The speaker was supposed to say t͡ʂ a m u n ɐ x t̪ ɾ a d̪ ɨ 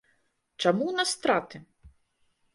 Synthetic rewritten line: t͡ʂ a m u n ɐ s t̪ ɾ a t̪ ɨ